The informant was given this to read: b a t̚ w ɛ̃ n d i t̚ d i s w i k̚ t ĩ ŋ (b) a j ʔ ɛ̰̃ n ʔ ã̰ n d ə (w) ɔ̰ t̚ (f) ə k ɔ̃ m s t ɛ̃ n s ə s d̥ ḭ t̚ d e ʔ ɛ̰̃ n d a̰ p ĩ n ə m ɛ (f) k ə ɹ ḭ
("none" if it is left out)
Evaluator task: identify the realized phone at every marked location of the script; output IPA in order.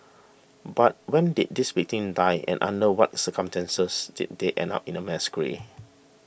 d, w, s, s

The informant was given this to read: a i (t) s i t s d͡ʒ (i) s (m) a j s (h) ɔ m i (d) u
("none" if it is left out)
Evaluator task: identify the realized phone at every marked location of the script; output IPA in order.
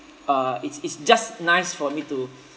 t, a, n, f, t

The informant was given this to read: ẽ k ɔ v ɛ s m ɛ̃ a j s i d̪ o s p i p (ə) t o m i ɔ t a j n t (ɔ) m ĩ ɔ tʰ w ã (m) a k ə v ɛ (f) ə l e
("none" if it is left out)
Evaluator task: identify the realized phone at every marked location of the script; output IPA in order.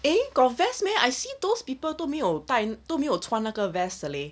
ə, o, n, s

